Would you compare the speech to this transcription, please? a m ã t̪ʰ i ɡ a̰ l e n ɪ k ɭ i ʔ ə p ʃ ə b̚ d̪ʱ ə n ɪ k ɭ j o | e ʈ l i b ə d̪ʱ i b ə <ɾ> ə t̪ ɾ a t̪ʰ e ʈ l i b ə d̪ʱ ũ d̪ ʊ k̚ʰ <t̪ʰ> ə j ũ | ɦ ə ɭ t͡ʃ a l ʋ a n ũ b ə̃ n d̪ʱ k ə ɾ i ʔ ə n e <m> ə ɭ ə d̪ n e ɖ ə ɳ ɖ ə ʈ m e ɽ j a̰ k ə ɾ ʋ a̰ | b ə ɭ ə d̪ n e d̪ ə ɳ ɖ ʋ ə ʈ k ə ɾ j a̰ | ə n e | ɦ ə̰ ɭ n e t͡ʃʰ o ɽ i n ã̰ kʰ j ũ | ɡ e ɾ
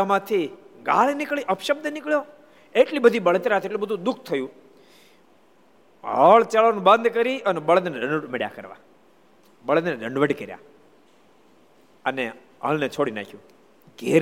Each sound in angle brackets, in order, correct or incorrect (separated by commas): incorrect, correct, incorrect